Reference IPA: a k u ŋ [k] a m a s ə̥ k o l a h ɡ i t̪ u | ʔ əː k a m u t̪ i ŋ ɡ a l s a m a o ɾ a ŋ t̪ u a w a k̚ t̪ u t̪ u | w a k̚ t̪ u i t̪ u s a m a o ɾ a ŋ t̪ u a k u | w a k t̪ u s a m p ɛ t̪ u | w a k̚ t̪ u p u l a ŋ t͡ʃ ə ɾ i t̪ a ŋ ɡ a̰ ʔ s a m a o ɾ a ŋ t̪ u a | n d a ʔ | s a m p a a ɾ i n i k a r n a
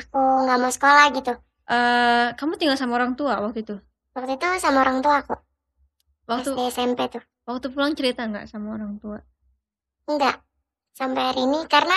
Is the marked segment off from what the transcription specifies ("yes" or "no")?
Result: yes